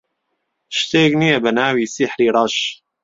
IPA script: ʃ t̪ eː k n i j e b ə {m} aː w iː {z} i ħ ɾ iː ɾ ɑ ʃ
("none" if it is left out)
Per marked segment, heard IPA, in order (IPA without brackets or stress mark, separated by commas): n, s